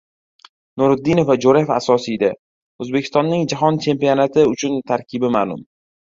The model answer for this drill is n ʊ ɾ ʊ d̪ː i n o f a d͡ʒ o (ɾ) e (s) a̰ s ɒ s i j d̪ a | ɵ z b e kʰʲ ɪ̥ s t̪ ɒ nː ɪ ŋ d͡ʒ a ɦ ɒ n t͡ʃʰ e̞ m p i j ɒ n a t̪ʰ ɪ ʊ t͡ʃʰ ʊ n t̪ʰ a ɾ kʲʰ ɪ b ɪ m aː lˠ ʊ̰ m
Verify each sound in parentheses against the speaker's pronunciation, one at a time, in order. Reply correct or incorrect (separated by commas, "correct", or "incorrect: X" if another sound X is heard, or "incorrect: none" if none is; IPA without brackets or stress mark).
correct, incorrect: f